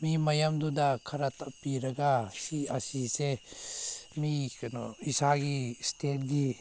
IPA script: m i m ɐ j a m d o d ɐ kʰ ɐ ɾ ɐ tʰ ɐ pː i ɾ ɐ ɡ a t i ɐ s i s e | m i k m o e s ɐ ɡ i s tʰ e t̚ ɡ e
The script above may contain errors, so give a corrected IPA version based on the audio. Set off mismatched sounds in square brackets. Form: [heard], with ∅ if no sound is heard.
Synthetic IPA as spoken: m i m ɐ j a m d [u] d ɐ kʰ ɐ ɾ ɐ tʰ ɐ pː i ɾ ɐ ɡ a [s] i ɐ s i s e | m i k [n] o [i] s [a] ɡ i s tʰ e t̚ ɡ [i]